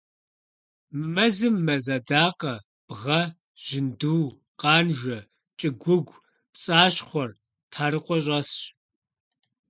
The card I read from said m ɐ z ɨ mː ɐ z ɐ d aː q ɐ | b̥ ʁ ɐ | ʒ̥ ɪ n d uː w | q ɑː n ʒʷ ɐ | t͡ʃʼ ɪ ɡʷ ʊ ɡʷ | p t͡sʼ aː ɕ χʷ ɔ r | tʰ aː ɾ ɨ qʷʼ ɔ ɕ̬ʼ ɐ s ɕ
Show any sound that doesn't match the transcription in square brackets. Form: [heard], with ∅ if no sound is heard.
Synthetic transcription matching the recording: m ɐ z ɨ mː ɐ z ɐ d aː q ɐ | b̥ ʁ ɐ | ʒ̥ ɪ n d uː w | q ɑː n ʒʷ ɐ | t͡ʃʼ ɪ ɡʷ ʊ ɡʷ | p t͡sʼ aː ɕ χʷ ɔ r | tʰ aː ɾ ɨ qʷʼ ɔ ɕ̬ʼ ɐ s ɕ